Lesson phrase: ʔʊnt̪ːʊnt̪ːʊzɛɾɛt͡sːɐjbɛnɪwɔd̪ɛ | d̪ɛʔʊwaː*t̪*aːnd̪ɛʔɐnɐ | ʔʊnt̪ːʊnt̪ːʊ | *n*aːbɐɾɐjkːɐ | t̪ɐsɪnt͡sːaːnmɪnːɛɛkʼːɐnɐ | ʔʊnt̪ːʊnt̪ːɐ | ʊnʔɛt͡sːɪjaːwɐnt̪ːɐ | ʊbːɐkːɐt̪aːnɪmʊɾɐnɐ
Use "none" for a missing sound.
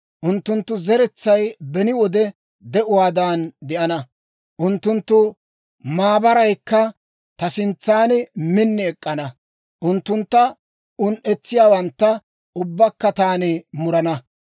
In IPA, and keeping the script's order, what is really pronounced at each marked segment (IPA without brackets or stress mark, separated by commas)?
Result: d̪, m